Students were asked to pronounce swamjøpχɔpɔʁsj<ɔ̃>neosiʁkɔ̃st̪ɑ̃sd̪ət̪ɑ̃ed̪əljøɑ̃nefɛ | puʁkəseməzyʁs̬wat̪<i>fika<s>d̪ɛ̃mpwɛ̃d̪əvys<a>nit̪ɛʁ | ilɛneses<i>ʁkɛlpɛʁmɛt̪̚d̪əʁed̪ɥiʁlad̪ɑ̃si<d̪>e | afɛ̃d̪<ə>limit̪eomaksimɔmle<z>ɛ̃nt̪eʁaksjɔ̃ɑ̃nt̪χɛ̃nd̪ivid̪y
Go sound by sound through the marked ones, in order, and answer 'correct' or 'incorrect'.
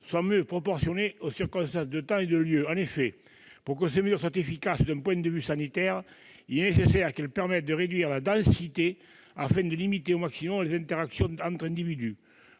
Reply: incorrect: ɔ, incorrect: e, correct, correct, incorrect: ɛ, incorrect: t̪, correct, correct

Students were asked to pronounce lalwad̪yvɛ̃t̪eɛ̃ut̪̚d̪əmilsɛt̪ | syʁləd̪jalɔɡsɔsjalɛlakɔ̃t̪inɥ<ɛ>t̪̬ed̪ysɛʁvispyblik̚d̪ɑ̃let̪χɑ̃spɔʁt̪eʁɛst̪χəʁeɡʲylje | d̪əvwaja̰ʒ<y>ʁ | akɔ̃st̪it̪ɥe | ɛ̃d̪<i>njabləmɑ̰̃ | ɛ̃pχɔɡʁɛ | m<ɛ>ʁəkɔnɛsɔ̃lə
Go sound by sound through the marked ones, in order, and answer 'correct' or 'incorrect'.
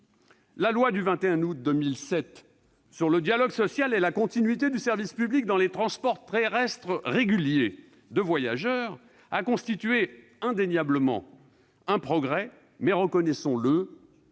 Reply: incorrect: i, incorrect: œ, incorrect: e, correct

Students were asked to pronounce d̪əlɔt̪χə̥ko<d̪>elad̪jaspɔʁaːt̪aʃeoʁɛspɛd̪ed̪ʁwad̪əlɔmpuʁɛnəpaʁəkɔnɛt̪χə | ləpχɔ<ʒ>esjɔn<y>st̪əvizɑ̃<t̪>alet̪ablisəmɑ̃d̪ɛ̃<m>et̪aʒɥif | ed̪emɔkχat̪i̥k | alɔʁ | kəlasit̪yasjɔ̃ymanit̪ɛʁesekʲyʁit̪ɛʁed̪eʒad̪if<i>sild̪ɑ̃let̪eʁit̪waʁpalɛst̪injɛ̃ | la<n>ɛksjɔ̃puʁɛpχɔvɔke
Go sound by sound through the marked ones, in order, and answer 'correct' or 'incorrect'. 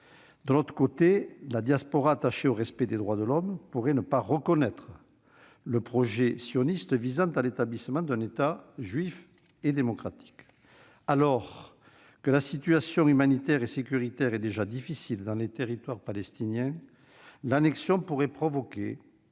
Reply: incorrect: t̪, correct, incorrect: i, correct, incorrect: n, correct, correct

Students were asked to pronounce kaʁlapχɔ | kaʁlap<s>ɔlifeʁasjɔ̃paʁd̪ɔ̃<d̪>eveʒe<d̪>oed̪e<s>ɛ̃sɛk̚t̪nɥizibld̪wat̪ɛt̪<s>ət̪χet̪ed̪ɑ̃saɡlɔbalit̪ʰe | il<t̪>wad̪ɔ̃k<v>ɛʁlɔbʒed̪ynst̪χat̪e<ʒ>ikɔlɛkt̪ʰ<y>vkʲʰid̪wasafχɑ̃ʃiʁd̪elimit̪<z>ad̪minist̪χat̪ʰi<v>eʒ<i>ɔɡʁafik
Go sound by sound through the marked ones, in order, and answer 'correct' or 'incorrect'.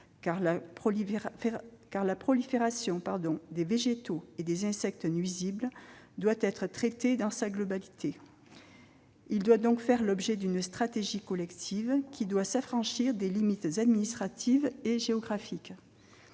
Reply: incorrect: χ, correct, incorrect: t̪, incorrect: z, incorrect: χ, incorrect: d̪, incorrect: f, correct, incorrect: i, correct, correct, incorrect: e

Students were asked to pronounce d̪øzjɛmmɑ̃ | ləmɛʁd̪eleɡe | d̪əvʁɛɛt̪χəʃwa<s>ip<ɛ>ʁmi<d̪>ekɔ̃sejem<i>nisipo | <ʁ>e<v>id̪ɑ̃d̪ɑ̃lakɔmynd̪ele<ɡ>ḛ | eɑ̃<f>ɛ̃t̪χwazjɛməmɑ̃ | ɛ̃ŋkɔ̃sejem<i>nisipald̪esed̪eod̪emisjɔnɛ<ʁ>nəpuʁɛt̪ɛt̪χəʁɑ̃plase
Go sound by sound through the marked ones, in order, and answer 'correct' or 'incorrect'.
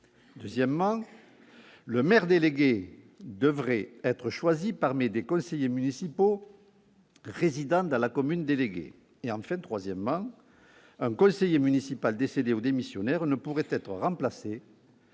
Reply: incorrect: z, incorrect: a, correct, incorrect: y, correct, incorrect: z, correct, correct, incorrect: y, correct

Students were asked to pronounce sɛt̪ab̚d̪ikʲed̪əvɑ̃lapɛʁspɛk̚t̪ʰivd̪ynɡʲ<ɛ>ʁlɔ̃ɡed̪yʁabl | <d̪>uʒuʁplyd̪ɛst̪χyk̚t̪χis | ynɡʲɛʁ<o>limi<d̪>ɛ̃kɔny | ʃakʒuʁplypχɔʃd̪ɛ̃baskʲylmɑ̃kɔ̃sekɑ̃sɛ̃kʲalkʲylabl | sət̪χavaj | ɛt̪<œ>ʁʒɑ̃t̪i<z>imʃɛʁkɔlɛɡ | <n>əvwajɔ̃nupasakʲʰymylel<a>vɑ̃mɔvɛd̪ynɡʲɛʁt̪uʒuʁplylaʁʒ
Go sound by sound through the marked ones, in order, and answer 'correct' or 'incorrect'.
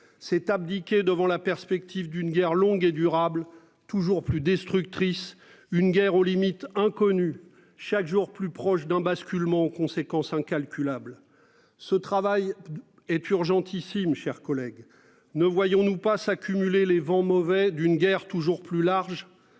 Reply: correct, incorrect: t̪, correct, incorrect: t̪, incorrect: y, incorrect: s, correct, incorrect: e

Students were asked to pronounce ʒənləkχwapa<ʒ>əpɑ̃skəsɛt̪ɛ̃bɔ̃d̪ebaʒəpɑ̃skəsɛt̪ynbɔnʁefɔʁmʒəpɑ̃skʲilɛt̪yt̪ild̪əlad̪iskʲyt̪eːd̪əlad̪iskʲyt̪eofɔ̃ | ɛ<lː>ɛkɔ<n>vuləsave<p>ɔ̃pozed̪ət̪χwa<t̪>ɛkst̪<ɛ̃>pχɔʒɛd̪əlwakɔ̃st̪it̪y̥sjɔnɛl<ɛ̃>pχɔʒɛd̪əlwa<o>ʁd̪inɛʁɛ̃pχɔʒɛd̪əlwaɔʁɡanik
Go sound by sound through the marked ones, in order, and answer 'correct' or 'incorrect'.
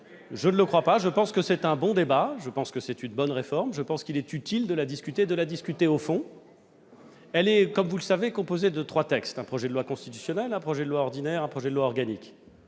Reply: correct, incorrect: l, incorrect: m, incorrect: k, correct, correct, correct, incorrect: ɔ

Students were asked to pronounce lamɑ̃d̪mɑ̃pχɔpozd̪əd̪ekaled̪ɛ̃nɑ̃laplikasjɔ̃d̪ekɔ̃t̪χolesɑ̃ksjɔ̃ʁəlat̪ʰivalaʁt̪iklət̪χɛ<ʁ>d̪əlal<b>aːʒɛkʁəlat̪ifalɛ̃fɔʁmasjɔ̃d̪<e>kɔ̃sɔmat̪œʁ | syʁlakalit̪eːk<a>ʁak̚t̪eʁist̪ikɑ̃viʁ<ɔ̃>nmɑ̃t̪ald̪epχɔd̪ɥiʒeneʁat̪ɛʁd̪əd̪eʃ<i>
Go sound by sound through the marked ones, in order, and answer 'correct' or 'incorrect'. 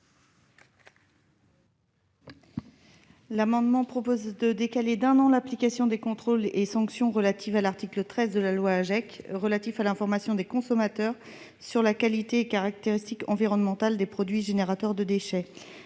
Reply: incorrect: z, incorrect: w, correct, correct, incorrect: ɔ, incorrect: ɛ

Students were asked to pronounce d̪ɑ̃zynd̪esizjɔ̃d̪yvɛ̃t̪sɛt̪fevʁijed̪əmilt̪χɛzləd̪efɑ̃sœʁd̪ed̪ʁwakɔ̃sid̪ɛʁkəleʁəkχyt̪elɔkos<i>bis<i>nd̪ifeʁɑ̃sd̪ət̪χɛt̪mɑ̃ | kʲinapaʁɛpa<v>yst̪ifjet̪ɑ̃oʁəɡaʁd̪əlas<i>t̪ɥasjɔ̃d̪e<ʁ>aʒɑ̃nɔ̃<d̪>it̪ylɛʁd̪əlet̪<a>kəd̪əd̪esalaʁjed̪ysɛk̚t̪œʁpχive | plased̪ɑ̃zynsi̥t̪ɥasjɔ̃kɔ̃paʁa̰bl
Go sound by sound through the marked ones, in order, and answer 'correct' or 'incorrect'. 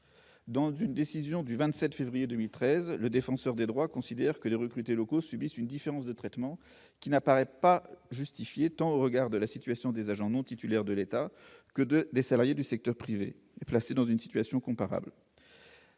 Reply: incorrect: y, incorrect: y, incorrect: ʒ, correct, incorrect: z, incorrect: t̪, correct

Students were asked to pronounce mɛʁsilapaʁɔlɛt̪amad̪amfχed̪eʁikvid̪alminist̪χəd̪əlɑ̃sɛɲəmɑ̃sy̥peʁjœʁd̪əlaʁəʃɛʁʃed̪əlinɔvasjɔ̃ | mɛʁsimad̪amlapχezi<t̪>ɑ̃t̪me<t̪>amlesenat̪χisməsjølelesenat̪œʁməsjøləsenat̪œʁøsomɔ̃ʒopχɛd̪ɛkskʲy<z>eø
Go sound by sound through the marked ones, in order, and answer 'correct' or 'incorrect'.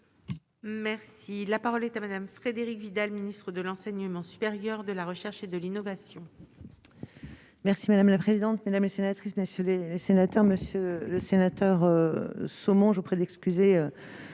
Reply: incorrect: d̪, incorrect: d̪, correct

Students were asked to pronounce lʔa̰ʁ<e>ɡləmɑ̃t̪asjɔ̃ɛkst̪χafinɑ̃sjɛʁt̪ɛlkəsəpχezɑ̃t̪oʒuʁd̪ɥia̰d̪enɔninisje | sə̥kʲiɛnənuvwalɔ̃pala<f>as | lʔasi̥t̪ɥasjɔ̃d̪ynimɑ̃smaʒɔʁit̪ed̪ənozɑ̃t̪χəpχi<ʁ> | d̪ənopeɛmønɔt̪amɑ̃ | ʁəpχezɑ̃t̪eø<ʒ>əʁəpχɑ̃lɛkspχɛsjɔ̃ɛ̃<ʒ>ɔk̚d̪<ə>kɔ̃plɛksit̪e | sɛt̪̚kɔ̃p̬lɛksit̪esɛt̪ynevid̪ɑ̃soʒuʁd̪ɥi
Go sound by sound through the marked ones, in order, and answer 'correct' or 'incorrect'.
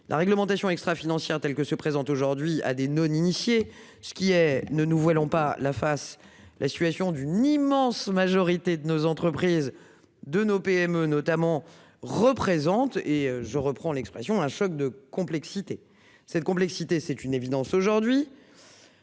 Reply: incorrect: ɛ, correct, incorrect: z, correct, incorrect: ʃ, correct

